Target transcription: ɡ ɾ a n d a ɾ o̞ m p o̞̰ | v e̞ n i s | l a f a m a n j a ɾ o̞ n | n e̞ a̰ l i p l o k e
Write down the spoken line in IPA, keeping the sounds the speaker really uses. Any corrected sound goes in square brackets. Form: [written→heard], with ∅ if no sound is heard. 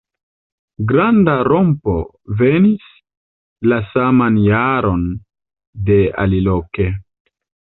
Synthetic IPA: ɡ ɾ a n d a ɾ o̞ m p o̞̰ | v e̞ n i s | l a [f→s] a m a n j a ɾ o̞ n | [n→d] e̞ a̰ l i [p→∅] l o k e